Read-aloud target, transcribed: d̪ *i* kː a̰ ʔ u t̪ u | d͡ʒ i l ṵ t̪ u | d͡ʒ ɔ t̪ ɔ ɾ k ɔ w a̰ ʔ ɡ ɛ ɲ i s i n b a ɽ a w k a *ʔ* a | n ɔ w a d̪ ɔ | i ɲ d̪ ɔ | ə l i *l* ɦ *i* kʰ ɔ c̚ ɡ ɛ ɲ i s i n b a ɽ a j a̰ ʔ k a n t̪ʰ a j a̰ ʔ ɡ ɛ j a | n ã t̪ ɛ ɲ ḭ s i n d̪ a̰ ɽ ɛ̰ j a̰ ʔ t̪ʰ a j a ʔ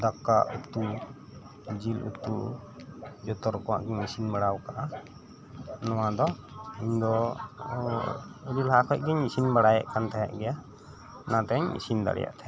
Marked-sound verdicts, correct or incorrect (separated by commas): incorrect, correct, correct, incorrect